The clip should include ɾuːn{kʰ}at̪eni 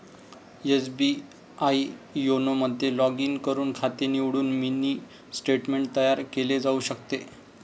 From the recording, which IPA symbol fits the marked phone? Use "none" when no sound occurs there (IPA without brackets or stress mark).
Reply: kʰ